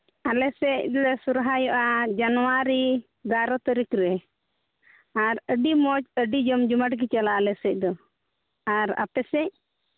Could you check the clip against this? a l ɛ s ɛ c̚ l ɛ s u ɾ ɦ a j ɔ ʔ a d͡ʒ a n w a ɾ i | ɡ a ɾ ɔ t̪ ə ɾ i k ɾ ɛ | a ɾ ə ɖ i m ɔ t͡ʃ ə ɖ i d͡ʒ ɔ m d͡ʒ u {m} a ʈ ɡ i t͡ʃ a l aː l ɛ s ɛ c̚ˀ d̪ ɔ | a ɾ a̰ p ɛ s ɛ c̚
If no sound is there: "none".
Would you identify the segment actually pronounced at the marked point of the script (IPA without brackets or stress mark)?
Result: m